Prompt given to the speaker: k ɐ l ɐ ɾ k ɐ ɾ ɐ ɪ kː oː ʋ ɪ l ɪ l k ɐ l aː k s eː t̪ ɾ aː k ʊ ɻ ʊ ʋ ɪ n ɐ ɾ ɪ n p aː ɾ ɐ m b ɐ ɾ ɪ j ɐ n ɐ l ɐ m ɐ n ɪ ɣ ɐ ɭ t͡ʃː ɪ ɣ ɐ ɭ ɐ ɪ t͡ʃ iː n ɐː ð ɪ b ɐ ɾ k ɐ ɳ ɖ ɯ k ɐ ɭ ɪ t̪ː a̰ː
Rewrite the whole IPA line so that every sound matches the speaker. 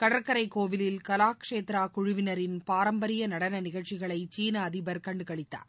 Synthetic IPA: k ɐ ɽ ɐ ɾ k ɐ ɾ ɐ ɪ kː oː ʋ ɪ l ɪ l k ɐ l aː k ʂ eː t̪ ɾ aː k ʊ ɻ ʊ ʋ ɪ n ɐ ɾ ɪ n p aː ɾ ɐ m b ɐ ɾ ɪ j ɐ n ɐ ɽ ɐ n ɐ n ɪ ɣ ɐ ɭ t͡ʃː ɪ ɣ ɐ ɭ ɐ ɪ t͡ʃ iː n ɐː ð ɪ b ɐ ɾ k ɐ ɳ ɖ ɯ k ɐ ɭ ɪ t̪ː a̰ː

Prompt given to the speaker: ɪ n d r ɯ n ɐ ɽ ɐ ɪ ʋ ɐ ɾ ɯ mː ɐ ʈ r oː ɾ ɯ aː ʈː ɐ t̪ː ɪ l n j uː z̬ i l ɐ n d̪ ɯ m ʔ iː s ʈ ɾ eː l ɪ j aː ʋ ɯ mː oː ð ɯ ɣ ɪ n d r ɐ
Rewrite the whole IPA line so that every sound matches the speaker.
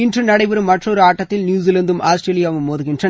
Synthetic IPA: ɪ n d r ɯ n ɐ ɽ ɐ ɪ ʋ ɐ ɾ ɯ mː ɐ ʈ r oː ɾ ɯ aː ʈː ɐ t̪ː ɪ l n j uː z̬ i l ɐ n d̪ ɯ m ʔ aː s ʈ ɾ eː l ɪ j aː ʋ ɯ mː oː ð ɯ ɣ ɪ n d r ɐ

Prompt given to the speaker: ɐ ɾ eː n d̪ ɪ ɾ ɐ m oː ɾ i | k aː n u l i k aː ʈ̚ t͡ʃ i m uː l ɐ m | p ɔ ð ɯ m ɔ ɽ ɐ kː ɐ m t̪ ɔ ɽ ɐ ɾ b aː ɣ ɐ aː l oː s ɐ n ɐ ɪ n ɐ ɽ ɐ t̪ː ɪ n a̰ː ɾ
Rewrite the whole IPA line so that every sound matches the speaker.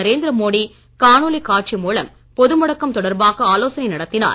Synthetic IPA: ɐ ɾ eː n d̪ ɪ ɾ ɐ m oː ɽ i | k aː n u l i k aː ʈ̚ t͡ʃ i m uː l ɐ m | p ɔ ð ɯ m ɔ ɽ ɐ kː ɐ m t̪ ɔ ɽ ɐ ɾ b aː ɣ ɐ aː l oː s ɐ n ɐ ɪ n ɐ ɽ ɐ t̪ː ɪ n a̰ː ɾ

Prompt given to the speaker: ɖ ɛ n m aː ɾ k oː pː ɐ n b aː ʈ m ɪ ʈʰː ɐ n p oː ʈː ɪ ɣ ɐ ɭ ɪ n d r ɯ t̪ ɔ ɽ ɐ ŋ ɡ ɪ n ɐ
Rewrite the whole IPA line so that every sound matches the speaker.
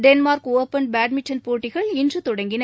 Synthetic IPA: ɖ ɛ n m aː ɾ k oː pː ɐ n b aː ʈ m ɪ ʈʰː ɐ n p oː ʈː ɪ ɣ ɐ ɭ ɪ n d r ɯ t̪ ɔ ɽ ɐ ŋ ɡ ɪ n ɐ

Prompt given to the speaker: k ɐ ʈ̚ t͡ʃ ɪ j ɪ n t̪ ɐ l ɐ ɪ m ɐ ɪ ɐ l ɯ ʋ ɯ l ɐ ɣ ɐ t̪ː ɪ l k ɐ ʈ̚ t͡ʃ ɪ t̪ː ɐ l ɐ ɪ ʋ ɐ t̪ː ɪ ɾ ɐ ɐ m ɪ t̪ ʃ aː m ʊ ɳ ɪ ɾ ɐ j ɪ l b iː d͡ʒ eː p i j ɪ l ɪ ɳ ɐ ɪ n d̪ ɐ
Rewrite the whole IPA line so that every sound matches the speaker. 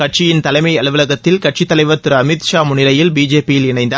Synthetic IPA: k ɐ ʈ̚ t͡ʃ ɪ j ɪ n t̪ ɐ l ɐ ɪ m ɐ ɪ ɐ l ɯ ʋ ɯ l ɐ ɣ ɐ t̪ː ɪ l k ɐ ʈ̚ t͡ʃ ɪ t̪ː ɐ l ɐ ɪ ʋ ɐ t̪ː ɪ ɾ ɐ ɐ m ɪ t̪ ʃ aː m ʊ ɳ ɪ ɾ ɐ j ɪ l b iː d͡ʒ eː p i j ɪ l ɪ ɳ ɐ ɪ n d̪ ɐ

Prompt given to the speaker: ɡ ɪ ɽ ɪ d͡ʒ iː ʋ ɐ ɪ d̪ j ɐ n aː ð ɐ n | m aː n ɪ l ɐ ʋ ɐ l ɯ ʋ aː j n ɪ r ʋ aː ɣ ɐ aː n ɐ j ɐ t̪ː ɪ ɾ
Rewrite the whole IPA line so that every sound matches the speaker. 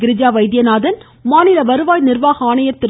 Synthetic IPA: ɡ ɪ ɾ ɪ d͡ʒ aː ʋ ɐ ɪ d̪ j ɐ n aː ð ɐ n | m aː n ɪ l ɐ ʋ ɐ ɾ ɯ ʋ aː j n ɪ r ʋ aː ɣ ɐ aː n ɐ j ɐ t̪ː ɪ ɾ

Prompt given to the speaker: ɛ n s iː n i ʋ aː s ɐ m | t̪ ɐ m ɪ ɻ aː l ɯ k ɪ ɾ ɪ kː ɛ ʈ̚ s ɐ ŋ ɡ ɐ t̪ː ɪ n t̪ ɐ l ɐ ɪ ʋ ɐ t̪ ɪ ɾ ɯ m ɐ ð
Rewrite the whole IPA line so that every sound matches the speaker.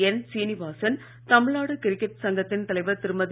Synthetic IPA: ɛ n s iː n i ʋ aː s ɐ n | t̪ ɐ m ɪ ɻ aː ɽ ɯ k ɪ ɾ ɪ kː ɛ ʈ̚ s ɐ ŋ ɡ ɐ t̪ː ɪ n t̪ ɐ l ɐ ɪ ʋ ɐ t̪ ɪ ɾ ɯ m ɐ ð

